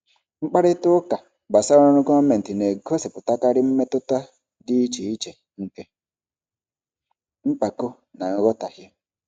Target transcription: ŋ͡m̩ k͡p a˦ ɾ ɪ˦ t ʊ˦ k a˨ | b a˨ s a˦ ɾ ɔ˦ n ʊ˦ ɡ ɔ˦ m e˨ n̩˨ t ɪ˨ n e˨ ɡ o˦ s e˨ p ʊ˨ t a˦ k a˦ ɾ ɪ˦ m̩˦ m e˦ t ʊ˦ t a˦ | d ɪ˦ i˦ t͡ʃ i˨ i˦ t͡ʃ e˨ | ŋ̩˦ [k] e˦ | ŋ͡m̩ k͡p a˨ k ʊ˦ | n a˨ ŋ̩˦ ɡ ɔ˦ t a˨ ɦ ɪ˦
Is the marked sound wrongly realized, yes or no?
no